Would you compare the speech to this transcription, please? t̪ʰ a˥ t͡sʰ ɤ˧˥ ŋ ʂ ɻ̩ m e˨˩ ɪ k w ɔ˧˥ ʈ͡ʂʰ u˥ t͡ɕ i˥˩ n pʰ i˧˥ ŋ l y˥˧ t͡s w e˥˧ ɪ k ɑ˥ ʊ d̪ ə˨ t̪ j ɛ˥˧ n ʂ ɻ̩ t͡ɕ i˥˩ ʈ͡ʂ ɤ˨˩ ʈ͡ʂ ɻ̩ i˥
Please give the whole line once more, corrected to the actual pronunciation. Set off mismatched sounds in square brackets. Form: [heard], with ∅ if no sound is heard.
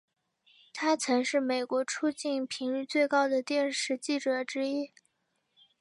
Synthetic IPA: t̪ʰ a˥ t͡sʰ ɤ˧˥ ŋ ʂ ɻ̩ m e˨˩ ɪ k w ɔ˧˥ ʈ͡ʂʰ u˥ t͡ɕ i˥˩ n pʰ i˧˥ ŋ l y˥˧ t͡s w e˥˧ ɪ k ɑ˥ ʊ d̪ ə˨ t̪ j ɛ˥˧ n ʂ ɻ̩ t͡ɕ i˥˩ ʈ͡ʂ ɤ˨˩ ʈ͡ʂ ɻ̩ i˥